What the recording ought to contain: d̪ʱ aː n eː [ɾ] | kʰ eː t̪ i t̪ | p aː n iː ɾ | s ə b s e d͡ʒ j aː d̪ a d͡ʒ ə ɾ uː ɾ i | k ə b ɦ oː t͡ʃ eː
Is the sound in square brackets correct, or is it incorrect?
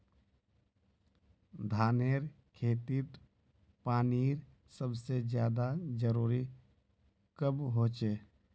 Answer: correct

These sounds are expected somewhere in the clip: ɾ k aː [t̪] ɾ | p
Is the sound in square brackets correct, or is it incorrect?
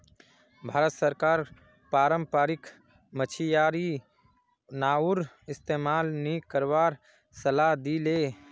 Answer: incorrect: none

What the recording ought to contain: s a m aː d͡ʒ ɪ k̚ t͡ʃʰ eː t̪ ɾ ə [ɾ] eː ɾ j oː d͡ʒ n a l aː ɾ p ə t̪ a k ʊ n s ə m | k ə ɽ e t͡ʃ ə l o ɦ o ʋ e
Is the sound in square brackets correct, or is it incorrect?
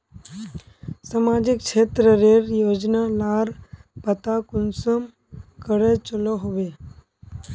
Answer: correct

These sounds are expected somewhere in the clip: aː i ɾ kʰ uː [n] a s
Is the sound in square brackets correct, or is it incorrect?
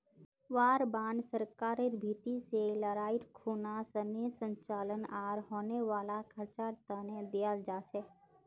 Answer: correct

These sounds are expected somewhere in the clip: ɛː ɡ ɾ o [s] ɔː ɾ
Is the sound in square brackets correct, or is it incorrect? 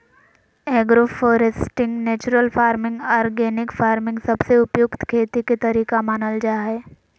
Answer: incorrect: f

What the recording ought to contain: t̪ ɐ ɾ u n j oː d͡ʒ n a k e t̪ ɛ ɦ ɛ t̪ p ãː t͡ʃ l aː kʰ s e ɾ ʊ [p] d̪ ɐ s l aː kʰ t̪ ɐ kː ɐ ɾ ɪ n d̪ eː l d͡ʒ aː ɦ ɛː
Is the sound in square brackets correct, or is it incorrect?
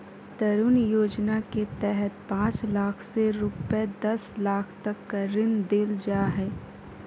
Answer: correct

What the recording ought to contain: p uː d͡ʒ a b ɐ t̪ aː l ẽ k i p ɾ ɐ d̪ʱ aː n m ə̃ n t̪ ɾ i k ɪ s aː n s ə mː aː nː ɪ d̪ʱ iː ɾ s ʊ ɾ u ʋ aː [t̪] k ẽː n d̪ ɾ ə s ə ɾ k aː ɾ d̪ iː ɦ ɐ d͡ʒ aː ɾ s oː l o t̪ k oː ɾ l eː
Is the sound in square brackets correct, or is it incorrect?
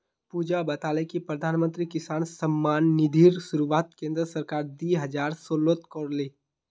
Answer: correct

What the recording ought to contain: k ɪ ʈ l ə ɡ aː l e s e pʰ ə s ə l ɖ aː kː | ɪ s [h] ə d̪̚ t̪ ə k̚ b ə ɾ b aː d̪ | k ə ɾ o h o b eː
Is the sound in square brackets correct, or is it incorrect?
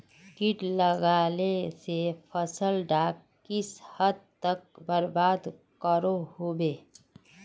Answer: correct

